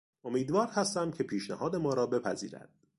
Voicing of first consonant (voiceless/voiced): voiced